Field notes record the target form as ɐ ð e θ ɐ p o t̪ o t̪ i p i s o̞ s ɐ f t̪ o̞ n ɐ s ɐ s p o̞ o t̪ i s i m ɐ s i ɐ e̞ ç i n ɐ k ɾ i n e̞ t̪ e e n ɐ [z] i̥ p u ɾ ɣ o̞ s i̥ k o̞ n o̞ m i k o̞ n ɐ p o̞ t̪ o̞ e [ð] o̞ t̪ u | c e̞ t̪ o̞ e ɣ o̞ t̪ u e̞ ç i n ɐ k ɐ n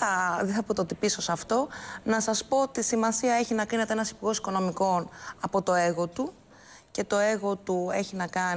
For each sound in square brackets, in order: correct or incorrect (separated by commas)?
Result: incorrect, incorrect